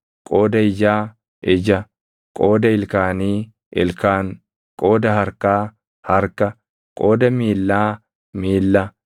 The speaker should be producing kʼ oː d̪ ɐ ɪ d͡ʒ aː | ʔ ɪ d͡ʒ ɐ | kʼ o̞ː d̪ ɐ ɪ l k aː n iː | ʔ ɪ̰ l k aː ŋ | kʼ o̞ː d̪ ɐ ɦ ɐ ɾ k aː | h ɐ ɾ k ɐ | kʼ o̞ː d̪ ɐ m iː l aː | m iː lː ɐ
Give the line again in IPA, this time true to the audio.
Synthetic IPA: kʼ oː d̪ ɐ ɪ d͡ʒ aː | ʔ ɪ d͡ʒ ɐ | kʼ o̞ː d̪ ɐ ɪ l k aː n iː | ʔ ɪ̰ l k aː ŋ | kʼ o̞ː d̪ ɐ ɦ ɐ ɾ k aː | h ɐ ɾ k ɐ | kʼ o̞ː d̪ ɐ m iː lː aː | m iː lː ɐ